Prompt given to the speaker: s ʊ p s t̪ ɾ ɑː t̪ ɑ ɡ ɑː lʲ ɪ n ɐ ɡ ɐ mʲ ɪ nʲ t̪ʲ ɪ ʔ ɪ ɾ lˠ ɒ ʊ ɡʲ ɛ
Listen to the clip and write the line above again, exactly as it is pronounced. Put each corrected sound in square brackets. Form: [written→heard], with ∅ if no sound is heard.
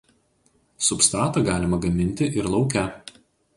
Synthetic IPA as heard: s ʊ p s t̪ ɾ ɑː t̪ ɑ ɡ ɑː lʲ ɪ [n→m] ɐ ɡ ɐ mʲ ɪ nʲ t̪ʲ ɪ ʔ ɪ ɾ lˠ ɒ ʊ [ɡʲ→kʲ] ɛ

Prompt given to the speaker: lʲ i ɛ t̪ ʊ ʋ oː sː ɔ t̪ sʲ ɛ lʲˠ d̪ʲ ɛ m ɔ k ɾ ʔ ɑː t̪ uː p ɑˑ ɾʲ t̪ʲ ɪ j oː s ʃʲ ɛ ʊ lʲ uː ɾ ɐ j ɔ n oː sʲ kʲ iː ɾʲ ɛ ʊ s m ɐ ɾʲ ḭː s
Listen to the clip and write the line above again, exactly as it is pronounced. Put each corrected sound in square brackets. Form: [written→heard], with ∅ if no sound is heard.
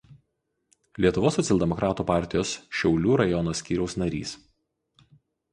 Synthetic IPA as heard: lʲ i ɛ t̪ ʊ ʋ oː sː ɔ t̪ sʲ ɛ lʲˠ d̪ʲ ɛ m ɔ k ɾ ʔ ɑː t̪ uː p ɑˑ ɾʲ t̪ʲ ɪ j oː s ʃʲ ɛ ʊ lʲ uː ɾ ɐ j ɔ n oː sʲ kʲ iː ɾʲ ɛ ʊ s [m→n] ɐ ɾʲ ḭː s

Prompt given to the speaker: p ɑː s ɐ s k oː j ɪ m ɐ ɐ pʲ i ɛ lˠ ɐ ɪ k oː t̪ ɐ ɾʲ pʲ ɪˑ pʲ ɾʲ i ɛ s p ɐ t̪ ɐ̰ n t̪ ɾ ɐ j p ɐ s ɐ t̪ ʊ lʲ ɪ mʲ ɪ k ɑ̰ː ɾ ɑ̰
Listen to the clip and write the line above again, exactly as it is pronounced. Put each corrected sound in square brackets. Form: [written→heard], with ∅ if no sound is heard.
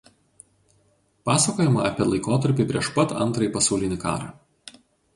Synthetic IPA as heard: p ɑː s ɐ [s→∅] k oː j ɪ m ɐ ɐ pʲ i ɛ lˠ ɐ ɪ k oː t̪ ɐ ɾʲ pʲ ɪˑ pʲ ɾʲ i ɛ [s→ʃ] p ɐ t̪ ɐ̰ n t̪ ɾ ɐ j p ɐ s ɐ [t̪→∅] ʊ lʲ ɪ [mʲ→nʲ] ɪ k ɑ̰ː ɾ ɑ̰

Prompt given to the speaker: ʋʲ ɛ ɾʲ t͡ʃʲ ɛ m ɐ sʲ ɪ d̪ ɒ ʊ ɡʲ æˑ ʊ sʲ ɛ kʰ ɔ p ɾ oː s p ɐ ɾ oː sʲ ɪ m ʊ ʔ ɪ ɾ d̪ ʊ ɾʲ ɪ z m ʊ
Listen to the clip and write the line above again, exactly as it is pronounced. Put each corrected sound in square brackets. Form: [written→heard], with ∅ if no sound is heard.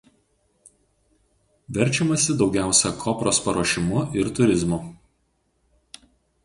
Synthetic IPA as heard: ʋʲ ɛ ɾʲ t͡ʃʲ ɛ m ɐ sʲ ɪ d̪ ɒ ʊ ɡʲ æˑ ʊ sʲ ɛ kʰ ɔ p ɾ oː s p ɐ ɾ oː [sʲ→ʃʲ] ɪ m ʊ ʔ ɪ ɾ [d̪→t̪] ʊ ɾʲ ɪ z m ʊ

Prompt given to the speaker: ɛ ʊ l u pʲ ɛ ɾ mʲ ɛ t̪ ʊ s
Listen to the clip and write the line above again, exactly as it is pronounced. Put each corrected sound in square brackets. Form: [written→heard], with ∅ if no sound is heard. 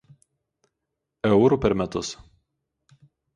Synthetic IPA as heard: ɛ ʊ [l→ɾ] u pʲ ɛ ɾ mʲ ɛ t̪ ʊ s

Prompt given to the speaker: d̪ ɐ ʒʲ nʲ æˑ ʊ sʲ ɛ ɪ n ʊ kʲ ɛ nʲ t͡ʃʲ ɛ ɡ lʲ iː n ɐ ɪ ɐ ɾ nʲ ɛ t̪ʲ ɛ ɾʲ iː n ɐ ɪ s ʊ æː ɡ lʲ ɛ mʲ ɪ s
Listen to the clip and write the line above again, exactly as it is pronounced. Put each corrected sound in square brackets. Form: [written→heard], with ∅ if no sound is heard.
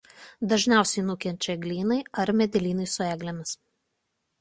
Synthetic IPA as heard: d̪ ɐ ʒʲ nʲ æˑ ʊ sʲ ɛ ɪ n ʊ kʲ ɛ nʲ t͡ʃʲ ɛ ɡ lʲ iː n ɐ ɪ ɐ ɾ [nʲ→mʲ] ɛ [t̪ʲ→d̪ʲ] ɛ [ɾʲ→lʲ] iː n ɐ ɪ s ʊ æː ɡ lʲ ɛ mʲ ɪ s

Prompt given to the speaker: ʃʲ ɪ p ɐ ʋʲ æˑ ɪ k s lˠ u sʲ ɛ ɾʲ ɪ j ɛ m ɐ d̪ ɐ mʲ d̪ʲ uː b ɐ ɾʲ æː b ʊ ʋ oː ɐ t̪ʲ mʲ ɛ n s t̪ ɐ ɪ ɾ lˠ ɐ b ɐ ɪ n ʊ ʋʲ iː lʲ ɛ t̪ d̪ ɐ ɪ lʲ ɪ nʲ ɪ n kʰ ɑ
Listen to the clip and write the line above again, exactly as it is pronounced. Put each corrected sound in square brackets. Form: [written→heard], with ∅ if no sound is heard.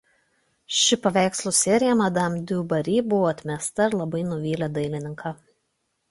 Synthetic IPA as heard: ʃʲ ɪ p ɐ ʋʲ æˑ ɪ k s lˠ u sʲ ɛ ɾʲ ɪ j ɛ m ɐ d̪ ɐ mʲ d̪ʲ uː b ɐ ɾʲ [æː→iː] b ʊ ʋ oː ɐ t̪ʲ mʲ ɛ [n→∅] s t̪ ɐ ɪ ɾ lˠ ɐ b ɐ ɪ n ʊ ʋʲ iː lʲ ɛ [t̪→∅] d̪ ɐ ɪ lʲ ɪ nʲ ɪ [n→ŋ] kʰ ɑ

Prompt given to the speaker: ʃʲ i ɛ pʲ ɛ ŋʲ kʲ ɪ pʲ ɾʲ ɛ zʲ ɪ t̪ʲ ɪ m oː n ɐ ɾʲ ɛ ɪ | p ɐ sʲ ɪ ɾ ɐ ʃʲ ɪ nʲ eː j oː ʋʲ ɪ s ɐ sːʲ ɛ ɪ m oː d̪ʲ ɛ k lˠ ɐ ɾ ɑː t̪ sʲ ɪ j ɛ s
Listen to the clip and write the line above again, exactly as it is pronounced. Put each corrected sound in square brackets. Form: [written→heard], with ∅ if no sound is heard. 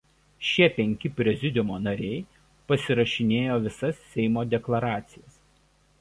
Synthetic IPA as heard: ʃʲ i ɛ pʲ ɛ ŋʲ kʲ ɪ pʲ ɾʲ ɛ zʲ ɪ [t̪ʲ→d̪ʲ] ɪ m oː n ɐ ɾʲ ɛ ɪ | p ɐ sʲ ɪ ɾ ɐ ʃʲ ɪ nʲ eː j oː ʋʲ ɪ s ɐ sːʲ ɛ ɪ m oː d̪ʲ ɛ k lˠ ɐ ɾ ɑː t̪ sʲ ɪ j ɛ s

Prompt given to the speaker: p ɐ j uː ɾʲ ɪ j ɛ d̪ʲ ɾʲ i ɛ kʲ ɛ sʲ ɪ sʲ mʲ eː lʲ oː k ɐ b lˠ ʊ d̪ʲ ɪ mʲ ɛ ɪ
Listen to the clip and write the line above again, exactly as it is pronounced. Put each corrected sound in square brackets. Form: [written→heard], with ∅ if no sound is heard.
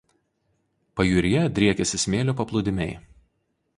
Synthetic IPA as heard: p ɐ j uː ɾʲ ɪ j ɛ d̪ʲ ɾʲ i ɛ kʲ ɛ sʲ ɪ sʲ mʲ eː lʲ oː [k→p] ɐ [b→p] lˠ ʊ d̪ʲ ɪ mʲ ɛ ɪ

